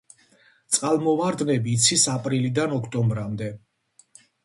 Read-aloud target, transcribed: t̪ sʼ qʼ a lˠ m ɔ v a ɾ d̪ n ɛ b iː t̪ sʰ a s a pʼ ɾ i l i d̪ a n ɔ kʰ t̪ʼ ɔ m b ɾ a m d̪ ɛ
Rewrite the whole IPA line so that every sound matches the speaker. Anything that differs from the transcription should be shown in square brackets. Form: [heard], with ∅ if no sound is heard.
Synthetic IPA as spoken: t̪ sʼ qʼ a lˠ m ɔ v a ɾ d̪ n ɛ b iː t̪ sʰ [i] s a pʼ ɾ i l i d̪ a n ɔ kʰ t̪ʼ ɔ m b ɾ a m d̪ ɛ